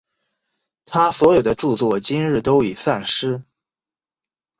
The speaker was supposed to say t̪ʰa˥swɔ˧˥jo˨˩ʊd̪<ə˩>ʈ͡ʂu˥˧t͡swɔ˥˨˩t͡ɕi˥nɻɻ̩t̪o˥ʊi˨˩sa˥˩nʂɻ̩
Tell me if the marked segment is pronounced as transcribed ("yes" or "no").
no